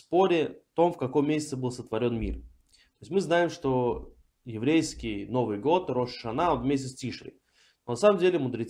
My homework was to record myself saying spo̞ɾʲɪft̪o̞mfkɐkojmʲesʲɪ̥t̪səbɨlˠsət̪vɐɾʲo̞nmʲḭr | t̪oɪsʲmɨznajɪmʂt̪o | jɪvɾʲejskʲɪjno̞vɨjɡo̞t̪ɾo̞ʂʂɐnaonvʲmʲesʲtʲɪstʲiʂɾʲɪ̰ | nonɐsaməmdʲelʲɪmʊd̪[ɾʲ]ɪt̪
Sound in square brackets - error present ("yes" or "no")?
no